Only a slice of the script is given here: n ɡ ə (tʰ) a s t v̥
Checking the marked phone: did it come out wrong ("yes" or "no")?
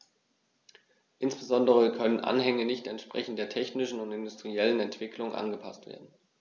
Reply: yes